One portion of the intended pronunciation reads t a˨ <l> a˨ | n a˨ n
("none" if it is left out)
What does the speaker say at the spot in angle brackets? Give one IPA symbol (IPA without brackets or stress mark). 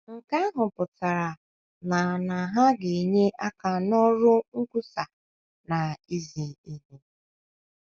ɾ